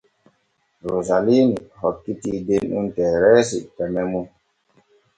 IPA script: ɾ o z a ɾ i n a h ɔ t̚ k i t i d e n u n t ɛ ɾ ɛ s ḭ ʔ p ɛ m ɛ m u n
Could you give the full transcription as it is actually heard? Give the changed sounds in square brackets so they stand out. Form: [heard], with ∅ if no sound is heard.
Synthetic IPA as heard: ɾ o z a [l] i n [i] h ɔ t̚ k i t i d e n u n t ɛ ɾ ɛ s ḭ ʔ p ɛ m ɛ m u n